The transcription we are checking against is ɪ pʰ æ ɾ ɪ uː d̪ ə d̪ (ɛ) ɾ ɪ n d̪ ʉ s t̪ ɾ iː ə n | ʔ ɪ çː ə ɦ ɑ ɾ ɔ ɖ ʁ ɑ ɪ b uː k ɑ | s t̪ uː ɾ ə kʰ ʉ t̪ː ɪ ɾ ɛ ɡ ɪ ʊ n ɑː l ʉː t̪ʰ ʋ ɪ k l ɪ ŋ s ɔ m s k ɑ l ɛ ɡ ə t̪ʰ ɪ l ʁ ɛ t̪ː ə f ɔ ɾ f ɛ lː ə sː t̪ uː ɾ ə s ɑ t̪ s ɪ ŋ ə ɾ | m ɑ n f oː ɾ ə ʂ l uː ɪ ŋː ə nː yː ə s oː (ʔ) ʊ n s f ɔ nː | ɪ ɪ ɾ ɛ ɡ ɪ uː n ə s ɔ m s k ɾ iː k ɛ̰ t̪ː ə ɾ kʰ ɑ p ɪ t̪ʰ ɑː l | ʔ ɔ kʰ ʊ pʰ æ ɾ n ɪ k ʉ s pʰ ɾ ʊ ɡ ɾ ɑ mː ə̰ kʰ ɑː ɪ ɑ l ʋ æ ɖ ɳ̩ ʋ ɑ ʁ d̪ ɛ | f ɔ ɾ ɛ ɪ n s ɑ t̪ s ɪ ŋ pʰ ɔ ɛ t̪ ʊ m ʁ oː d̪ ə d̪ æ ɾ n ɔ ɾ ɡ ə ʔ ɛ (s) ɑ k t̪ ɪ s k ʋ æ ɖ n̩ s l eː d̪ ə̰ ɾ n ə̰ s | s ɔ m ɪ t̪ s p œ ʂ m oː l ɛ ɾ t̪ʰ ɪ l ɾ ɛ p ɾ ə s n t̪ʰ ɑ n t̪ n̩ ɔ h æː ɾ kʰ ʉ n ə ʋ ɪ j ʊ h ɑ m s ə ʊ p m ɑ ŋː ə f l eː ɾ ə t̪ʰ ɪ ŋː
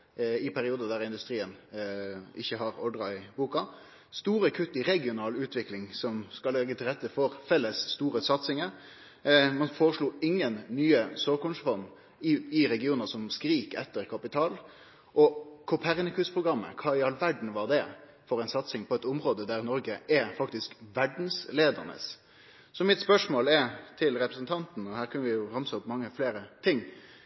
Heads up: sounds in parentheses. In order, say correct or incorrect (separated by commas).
incorrect, incorrect, incorrect